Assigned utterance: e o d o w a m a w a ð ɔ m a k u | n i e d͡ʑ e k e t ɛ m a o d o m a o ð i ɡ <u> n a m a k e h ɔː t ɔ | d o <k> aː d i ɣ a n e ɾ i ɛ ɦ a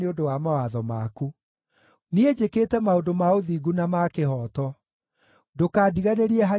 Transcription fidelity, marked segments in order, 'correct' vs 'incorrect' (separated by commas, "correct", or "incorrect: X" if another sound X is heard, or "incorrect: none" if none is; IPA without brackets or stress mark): correct, correct